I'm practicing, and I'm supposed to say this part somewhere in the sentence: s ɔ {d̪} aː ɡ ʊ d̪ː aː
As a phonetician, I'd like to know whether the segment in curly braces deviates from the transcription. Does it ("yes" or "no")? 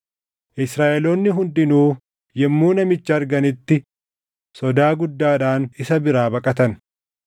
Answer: no